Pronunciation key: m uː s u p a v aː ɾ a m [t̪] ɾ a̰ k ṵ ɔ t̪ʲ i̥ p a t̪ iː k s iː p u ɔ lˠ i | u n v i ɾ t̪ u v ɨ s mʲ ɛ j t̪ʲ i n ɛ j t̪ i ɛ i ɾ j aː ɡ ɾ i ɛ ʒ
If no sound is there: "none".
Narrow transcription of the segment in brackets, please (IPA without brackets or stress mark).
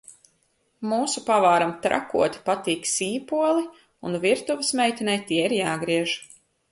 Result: t̪